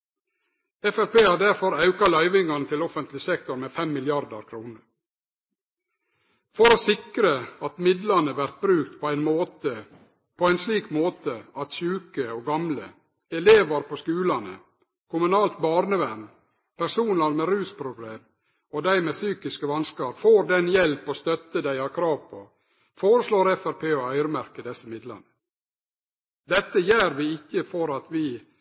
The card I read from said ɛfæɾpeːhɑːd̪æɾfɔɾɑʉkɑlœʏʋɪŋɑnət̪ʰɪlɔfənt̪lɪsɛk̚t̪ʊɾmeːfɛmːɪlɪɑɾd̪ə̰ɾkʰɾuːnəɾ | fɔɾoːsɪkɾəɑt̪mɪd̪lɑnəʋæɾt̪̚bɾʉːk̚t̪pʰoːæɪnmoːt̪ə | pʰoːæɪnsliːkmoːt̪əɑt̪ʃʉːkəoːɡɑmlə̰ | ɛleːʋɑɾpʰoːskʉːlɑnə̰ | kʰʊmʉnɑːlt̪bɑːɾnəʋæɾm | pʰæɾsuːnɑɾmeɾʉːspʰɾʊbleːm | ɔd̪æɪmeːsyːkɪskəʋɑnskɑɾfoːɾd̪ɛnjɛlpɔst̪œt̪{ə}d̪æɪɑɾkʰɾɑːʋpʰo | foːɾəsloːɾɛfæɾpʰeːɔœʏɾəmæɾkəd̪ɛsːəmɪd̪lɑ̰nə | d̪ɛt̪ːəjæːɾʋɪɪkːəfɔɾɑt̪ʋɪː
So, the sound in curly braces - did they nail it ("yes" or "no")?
yes